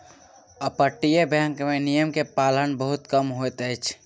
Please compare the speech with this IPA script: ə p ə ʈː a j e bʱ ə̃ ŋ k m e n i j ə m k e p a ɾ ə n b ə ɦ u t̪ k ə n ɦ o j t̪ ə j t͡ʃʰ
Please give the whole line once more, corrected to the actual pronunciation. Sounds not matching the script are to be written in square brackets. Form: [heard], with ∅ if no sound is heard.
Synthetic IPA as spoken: ə p ə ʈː [i] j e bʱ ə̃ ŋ k m e n i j ə m k e p a [l] ə n b ə ɦ u t̪ k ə [m] ɦ o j t̪ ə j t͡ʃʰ